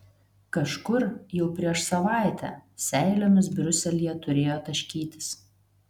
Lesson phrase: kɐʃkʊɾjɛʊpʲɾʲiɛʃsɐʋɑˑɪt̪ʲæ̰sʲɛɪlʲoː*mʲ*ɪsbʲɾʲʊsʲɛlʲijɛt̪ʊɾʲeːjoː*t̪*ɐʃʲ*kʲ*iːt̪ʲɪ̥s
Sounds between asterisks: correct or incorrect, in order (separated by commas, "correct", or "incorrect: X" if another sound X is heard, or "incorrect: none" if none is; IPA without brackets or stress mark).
correct, correct, correct